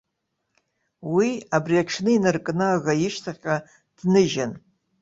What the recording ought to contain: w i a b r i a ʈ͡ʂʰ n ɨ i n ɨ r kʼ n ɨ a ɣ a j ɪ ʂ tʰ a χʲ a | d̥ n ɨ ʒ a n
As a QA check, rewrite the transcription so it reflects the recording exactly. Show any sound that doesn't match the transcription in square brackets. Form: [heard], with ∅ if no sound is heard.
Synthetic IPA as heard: w i a b r i a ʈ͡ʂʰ n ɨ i n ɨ r kʼ n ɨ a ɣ a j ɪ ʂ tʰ a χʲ a | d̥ n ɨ ʒ a n